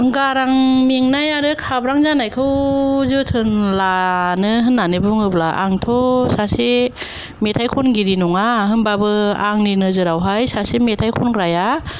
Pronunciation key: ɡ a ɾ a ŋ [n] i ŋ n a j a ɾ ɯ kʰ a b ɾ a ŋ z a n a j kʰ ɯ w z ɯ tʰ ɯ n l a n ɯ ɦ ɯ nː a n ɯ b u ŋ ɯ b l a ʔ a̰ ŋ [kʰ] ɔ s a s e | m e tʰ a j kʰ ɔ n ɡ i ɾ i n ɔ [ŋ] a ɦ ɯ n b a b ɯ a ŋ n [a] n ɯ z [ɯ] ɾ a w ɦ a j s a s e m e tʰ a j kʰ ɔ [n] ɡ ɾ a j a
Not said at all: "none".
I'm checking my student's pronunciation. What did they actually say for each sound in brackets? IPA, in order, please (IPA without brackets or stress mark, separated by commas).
m, tʰ, ŋ, i, ɯ, n